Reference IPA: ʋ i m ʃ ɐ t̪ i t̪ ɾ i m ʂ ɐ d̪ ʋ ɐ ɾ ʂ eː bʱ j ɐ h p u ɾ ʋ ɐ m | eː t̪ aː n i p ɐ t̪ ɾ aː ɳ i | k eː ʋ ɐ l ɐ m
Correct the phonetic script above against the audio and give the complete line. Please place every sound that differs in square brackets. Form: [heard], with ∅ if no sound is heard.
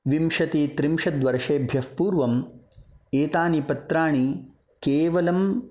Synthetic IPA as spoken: ʋ i m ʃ ɐ t̪ i t̪ ɾ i m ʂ ɐ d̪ ʋ ɐ ɾ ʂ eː bʱ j ɐ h p [uː] ɾ ʋ ɐ m | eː t̪ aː n i p ɐ t̪ ɾ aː ɳ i | k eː ʋ ɐ l ɐ m